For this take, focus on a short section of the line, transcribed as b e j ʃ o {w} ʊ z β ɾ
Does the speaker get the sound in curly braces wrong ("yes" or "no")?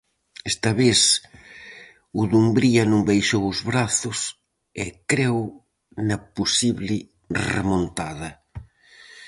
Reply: no